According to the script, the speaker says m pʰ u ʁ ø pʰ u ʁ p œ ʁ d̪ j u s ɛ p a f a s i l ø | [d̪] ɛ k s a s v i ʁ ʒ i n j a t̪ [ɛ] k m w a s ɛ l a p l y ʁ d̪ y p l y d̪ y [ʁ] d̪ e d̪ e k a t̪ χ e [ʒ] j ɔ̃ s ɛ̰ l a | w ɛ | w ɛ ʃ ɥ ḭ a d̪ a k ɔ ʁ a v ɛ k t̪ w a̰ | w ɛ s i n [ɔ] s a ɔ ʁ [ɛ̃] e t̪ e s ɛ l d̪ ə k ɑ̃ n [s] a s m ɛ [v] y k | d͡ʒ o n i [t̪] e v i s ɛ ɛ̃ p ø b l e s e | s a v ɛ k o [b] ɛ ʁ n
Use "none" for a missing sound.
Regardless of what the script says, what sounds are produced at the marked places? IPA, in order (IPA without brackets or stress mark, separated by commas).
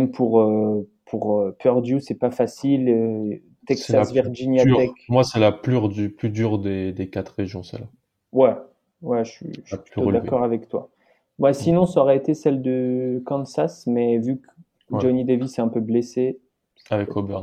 t̪, ɛ, ʁ, ʒ, ɔ̃, ɛ, s, v, d̪, b